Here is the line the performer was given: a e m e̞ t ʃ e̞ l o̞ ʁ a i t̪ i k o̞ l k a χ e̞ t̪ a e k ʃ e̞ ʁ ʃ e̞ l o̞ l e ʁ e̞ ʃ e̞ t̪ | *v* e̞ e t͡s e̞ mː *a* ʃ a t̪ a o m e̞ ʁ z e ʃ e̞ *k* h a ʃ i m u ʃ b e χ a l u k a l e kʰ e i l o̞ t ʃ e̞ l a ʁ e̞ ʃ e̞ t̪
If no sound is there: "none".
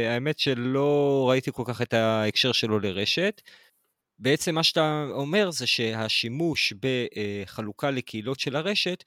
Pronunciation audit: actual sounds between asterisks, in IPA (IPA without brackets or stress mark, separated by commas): b, a, none